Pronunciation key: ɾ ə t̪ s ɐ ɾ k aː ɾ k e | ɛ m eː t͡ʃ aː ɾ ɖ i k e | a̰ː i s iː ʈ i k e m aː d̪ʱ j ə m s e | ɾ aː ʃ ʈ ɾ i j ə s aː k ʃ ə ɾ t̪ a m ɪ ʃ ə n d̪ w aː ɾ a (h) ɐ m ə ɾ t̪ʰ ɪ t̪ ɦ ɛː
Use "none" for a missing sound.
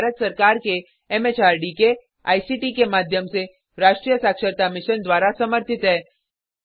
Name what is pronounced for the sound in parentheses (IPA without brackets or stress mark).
s